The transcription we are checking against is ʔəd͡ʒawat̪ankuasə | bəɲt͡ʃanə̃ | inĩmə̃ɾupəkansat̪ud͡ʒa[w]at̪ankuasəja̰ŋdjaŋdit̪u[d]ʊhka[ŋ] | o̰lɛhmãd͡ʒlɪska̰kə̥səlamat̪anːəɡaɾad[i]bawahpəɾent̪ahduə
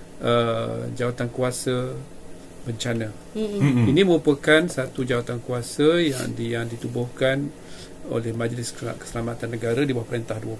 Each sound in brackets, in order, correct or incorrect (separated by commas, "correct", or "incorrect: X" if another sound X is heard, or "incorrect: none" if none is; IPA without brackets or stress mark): correct, incorrect: b, incorrect: n, correct